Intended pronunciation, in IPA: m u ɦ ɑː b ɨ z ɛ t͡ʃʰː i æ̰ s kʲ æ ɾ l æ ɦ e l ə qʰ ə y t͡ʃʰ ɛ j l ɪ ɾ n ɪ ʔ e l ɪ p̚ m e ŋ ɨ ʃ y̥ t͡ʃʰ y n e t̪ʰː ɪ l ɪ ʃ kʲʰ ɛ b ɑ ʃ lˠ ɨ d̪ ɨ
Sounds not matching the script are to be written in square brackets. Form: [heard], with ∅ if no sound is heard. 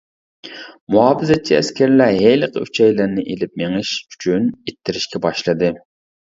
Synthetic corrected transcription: m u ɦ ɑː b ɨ z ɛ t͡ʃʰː i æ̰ s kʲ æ ɾ l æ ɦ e l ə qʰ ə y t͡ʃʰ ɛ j l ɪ ɾ n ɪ ʔ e l ɪ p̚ m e ŋ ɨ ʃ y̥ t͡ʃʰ y n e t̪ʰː ɪ [ɾ] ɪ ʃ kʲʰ ɛ b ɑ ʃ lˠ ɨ d̪ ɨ